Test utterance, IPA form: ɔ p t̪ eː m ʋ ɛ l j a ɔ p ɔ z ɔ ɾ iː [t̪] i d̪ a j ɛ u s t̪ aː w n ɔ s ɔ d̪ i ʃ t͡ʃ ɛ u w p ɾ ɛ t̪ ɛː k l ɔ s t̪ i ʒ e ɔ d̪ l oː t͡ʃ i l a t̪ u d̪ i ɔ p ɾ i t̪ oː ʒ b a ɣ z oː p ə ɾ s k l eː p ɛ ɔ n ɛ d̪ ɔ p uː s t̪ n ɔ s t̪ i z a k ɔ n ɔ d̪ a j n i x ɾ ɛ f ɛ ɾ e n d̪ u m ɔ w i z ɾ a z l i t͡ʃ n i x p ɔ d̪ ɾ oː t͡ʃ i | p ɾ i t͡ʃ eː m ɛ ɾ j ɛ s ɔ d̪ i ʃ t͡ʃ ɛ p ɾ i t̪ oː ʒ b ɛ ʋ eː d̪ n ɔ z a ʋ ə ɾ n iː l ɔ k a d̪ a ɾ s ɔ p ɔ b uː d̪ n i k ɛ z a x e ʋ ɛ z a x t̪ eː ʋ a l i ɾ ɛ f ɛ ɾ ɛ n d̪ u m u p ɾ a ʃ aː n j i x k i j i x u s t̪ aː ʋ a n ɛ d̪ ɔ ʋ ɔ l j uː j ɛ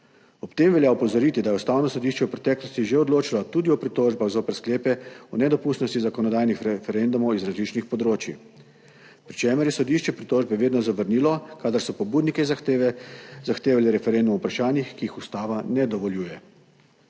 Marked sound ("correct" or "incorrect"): correct